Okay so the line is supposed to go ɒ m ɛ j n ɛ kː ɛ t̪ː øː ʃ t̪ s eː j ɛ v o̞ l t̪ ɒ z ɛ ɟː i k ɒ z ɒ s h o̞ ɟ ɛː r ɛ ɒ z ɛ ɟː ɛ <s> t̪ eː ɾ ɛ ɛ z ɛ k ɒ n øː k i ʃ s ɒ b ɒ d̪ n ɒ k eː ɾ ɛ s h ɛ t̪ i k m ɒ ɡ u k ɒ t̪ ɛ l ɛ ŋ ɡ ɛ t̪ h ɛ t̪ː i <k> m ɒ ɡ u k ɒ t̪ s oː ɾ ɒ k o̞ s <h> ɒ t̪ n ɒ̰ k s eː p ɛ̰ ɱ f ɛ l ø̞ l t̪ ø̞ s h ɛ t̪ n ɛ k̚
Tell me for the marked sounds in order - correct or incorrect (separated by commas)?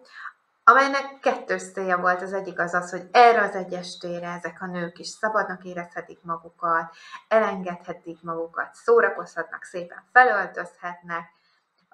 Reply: incorrect, correct, correct